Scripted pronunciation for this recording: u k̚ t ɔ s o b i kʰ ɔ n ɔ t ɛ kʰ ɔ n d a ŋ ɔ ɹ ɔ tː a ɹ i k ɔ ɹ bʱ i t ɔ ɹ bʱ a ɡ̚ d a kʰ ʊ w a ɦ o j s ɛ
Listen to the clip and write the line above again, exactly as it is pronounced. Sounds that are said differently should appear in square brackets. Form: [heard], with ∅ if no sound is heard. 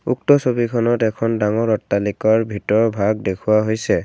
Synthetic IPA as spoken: u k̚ t ɔ s o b i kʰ ɔ n ɔ t ɛ kʰ ɔ n d a ŋ ɔ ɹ ɔ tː a [l] i k ɔ ɹ bʱ i t ɔ ɹ bʱ a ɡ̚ d [e] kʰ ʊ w a ɦ o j s ɛ